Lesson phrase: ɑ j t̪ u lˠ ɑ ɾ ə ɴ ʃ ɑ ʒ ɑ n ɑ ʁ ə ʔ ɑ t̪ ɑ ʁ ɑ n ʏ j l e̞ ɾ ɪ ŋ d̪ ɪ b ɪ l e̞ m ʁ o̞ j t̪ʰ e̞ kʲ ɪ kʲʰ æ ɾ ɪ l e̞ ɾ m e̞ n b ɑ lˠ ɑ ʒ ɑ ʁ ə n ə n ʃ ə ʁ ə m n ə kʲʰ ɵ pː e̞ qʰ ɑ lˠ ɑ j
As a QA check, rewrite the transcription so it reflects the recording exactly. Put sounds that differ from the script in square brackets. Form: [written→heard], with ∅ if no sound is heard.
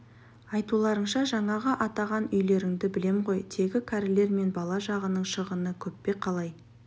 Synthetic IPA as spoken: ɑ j t̪ u lˠ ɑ ɾ ə ɴ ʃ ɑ ʒ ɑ [n→ɴ] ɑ ʁ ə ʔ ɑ t̪ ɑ ʁ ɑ n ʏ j l e̞ ɾ ɪ ŋ d̪ ɪ b ɪ l e̞ m ʁ o̞ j t̪ʰ e̞ [kʲ→ɡʲ] ɪ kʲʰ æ ɾ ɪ l e̞ ɾ m e̞ n b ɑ lˠ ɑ ʒ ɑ ʁ ə n ə [n→ɴ] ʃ ə ʁ ə [m→∅] n ə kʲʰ ɵ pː e̞ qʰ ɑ lˠ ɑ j